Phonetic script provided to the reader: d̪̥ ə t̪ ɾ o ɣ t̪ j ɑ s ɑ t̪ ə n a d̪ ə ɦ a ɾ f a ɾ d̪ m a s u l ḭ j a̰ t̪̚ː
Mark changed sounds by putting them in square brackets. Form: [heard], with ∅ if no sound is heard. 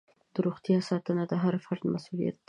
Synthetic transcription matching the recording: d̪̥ ə [∅] ɾ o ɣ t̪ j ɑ s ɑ t̪ ə n a d̪ ə ɦ a ɾ f a ɾ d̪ m a s u l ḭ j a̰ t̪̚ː